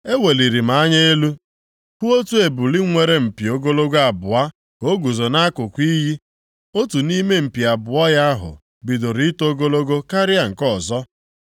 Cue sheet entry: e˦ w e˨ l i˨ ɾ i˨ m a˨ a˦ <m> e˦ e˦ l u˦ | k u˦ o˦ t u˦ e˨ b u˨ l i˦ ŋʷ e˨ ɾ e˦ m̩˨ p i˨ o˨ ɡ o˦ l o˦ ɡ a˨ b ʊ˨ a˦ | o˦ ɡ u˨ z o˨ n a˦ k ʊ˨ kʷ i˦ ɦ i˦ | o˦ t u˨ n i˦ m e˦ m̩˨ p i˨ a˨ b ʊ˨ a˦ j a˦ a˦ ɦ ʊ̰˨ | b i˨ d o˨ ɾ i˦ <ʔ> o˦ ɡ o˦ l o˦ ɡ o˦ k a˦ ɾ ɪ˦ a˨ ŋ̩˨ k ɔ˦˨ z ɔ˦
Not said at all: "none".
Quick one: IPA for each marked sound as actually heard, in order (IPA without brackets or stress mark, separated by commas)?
ɲ, t